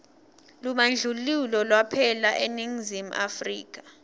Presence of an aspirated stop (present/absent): present